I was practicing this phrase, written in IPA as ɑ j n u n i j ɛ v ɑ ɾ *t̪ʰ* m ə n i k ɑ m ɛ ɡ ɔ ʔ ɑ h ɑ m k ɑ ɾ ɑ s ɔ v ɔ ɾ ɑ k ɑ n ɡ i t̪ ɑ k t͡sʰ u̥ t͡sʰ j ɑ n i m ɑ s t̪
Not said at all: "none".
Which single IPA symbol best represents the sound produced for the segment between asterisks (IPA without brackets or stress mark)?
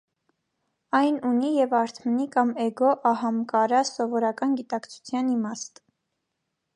t̪ʰ